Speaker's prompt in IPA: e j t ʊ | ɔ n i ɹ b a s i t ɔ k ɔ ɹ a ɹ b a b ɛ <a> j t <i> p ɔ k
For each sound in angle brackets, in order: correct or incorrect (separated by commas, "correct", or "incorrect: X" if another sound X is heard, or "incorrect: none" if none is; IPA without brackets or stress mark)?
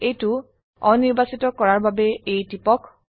incorrect: e, correct